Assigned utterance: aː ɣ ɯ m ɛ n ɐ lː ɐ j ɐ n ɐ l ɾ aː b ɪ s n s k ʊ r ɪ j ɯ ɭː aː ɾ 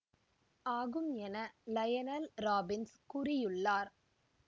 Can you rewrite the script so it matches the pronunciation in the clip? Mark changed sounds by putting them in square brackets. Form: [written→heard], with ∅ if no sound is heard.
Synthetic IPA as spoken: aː ɣ ɯ m ɛ n ɐ [lː→l] ɐ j ɐ n ɐ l ɾ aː b ɪ [s→∅] n s k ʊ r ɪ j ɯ ɭː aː ɾ

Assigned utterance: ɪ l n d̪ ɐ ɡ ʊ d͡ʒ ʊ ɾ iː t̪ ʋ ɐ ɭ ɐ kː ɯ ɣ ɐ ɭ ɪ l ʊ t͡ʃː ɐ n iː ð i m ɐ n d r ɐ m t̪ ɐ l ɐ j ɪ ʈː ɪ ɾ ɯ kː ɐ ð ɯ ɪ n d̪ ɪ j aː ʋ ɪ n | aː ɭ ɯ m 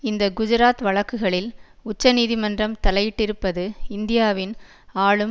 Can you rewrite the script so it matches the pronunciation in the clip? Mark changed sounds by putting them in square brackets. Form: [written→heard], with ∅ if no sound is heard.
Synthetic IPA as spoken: ɪ [l→∅] n d̪ ɐ ɡ ʊ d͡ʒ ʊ ɾ [iː→aː] t̪ ʋ ɐ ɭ ɐ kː ɯ ɣ ɐ ɭ ɪ l ʊ t͡ʃː ɐ n iː ð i m ɐ n d r ɐ m t̪ ɐ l ɐ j ɪ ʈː ɪ ɾ ɯ [kː→pː] ɐ ð ɯ ɪ n d̪ ɪ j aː ʋ ɪ n | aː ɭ ɯ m

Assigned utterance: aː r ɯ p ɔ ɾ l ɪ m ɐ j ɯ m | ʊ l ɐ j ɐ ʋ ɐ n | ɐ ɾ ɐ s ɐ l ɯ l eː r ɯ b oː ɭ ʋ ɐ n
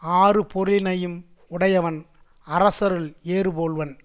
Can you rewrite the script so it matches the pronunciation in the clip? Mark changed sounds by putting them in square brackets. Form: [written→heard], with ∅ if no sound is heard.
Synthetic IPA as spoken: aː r ɯ p ɔ ɾ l ɪ [m→n] ɐ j ɯ m | ʊ [l→ɽ] ɐ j ɐ ʋ ɐ n | ɐ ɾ ɐ s ɐ [l→ɾ] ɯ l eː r ɯ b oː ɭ ʋ ɐ n

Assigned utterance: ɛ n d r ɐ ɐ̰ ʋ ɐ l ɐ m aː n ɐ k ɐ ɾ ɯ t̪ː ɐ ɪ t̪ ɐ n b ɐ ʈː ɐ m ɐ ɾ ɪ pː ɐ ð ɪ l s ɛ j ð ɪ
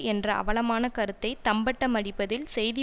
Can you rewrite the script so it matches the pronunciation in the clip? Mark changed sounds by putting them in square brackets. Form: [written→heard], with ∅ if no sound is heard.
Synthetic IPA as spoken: ɛ n d r ɐ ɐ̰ ʋ ɐ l ɐ m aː n ɐ k ɐ ɾ ɯ t̪ː ɐ ɪ t̪ ɐ [n→m] b ɐ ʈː ɐ m ɐ [ɾ→ɽ] ɪ pː ɐ ð ɪ l s ɛ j ð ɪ

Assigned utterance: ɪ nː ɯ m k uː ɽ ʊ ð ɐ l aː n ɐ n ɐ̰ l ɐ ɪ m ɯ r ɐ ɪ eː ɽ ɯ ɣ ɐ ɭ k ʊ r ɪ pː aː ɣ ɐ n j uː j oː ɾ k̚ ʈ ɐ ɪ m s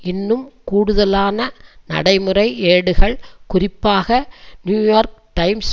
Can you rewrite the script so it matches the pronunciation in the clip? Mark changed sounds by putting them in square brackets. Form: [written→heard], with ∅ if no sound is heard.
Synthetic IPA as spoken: ɪ nː ɯ m k uː ɽ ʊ ð ɐ l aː n ɐ n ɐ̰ [l→ɽ] ɐ ɪ m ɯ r ɐ ɪ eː ɽ ɯ ɣ ɐ ɭ k ʊ r ɪ pː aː ɣ ɐ n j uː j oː ɾ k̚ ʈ ɐ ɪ m s

